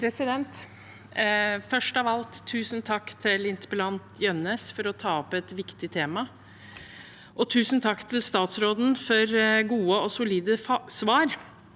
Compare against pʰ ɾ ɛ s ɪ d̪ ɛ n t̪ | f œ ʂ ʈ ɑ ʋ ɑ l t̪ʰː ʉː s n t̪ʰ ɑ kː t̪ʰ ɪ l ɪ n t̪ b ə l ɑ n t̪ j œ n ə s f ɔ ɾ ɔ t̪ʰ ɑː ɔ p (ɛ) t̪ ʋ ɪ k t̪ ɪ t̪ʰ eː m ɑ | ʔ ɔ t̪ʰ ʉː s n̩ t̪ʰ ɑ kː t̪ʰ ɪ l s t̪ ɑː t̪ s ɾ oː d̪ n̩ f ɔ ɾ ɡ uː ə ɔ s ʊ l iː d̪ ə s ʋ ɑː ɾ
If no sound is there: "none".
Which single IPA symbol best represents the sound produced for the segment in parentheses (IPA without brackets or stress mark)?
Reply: ɛ